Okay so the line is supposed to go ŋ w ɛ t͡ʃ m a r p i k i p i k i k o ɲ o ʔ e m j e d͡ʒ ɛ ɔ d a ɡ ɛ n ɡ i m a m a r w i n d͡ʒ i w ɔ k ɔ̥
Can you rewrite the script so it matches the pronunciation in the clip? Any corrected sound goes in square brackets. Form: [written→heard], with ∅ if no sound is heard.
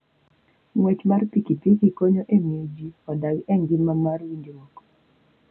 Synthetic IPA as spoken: ŋ w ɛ t͡ʃ m a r p i k i p i k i k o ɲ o ʔ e m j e d͡ʒ [ɛ→i] ɔ d a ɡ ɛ [n→ŋ] ɡ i m a m a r w i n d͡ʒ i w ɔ k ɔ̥